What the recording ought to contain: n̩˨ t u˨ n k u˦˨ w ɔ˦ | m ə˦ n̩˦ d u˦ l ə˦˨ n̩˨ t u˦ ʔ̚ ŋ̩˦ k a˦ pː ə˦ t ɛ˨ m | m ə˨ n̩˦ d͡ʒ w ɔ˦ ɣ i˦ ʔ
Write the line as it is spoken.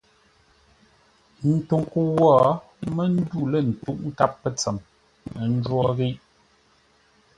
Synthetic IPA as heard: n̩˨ t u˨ ŋ k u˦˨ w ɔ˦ | m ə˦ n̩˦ d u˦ l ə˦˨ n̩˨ t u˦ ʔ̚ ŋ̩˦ k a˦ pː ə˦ t͡s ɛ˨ m | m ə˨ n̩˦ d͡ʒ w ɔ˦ ɣ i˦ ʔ